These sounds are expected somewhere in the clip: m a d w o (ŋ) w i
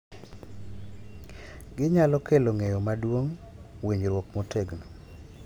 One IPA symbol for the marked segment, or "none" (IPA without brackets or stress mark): ŋ